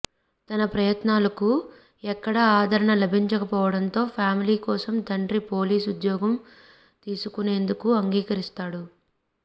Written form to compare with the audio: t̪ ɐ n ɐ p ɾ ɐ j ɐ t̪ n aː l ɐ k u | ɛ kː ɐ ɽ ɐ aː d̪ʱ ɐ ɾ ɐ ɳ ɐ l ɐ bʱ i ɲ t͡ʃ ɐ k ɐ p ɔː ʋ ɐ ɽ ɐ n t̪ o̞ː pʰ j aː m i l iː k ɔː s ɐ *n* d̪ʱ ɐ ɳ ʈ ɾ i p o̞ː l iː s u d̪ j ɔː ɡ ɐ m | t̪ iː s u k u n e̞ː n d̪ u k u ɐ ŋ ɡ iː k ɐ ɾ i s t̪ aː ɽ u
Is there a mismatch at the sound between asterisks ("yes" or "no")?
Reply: yes